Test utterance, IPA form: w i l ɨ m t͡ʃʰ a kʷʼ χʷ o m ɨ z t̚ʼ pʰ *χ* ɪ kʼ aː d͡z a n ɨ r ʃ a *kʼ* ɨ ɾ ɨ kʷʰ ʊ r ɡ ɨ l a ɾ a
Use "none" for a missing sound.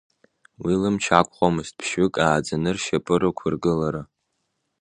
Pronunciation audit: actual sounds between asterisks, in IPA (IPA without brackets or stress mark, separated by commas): ʃ, pʼ